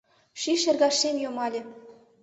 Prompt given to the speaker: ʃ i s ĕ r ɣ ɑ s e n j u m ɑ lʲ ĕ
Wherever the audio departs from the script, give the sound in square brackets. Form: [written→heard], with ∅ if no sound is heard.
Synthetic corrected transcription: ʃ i [s→ʃ] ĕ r ɣ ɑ [s→ʃ] e [n→m] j [u→o] m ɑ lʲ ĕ